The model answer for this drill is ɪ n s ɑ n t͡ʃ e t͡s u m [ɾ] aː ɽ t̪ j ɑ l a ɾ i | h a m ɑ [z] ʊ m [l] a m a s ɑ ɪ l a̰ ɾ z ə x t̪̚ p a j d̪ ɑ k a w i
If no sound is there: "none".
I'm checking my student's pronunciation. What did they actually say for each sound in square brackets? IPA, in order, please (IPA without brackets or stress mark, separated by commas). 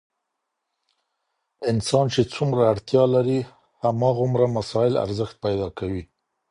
ɾ, ɣ, ɾ